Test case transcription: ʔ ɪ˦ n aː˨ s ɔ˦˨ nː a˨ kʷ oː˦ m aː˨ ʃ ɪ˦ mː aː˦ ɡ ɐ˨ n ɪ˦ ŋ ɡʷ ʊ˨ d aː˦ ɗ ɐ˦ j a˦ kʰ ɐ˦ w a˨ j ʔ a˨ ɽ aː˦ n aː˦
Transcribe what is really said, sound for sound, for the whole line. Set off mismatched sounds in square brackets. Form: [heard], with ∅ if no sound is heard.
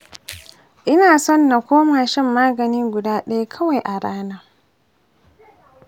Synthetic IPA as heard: ʔ ɪ˦ n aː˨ s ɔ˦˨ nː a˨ kʷ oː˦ m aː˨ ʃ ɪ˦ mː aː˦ ɡ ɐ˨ n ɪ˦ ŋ ɡʷ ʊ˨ d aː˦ ɗ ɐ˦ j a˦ kʰ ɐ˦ w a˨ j ʔ a˨ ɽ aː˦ n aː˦